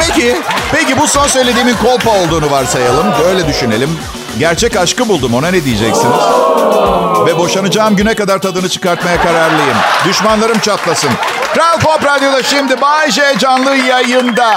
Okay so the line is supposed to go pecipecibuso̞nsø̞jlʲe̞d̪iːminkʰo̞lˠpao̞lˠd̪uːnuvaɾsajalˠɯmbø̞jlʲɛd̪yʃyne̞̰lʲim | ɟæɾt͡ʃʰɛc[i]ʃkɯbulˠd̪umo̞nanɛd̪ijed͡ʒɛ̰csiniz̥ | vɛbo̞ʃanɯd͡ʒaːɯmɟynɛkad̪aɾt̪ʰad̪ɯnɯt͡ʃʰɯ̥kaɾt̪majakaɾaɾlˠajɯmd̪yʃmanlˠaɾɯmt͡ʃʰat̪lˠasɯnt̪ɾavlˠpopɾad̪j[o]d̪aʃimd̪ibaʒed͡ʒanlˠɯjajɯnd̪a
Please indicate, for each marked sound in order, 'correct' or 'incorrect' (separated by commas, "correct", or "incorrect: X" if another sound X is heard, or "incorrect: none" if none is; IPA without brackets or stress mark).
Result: incorrect: a, correct